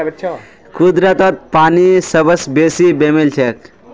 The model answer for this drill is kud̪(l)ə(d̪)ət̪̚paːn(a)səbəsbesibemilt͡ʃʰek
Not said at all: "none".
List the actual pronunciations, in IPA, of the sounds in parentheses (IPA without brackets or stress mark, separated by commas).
ɾ, t̪, i